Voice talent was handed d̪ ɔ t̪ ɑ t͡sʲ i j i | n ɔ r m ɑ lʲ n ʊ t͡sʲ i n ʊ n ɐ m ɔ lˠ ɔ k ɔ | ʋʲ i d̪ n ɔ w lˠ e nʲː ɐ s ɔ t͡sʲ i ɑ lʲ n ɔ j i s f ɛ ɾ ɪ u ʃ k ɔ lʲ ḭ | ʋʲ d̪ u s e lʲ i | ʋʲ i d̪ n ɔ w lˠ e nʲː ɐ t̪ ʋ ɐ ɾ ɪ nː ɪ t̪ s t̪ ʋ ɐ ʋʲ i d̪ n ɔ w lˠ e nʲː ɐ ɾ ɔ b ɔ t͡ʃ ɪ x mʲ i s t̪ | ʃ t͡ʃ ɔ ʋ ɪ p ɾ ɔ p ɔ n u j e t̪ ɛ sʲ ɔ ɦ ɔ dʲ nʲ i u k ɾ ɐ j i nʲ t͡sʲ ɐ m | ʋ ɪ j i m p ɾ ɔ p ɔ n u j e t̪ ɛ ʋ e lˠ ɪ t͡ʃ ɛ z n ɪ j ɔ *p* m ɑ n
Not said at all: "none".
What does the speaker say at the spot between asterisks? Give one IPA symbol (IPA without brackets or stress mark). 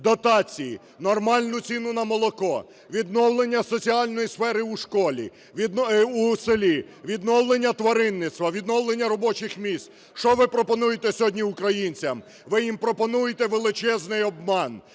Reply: b